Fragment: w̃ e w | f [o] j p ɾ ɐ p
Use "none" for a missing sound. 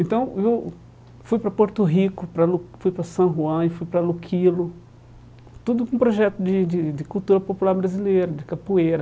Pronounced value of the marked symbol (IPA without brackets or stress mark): u